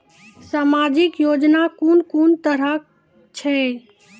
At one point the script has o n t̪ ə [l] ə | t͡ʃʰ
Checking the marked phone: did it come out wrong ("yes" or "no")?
yes